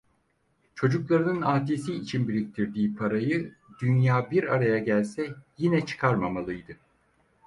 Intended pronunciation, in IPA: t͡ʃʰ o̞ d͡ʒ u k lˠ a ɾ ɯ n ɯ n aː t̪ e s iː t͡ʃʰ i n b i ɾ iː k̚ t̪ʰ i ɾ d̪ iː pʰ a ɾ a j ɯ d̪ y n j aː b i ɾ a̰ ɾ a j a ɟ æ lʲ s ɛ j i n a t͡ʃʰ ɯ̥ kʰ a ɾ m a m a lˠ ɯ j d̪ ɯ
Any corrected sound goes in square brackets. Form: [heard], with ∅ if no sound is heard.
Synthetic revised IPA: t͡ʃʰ o̞ d͡ʒ u k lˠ a ɾ ɯ n ɯ n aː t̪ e s iː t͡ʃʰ i n b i ɾ [i] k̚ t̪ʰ i ɾ d̪ iː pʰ a ɾ a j ɯ d̪ y n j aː b i ɾ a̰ ɾ a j a ɟ æ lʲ s ɛ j i n [ɛ] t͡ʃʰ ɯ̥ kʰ a ɾ m a m a lˠ ɯ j d̪ ɯ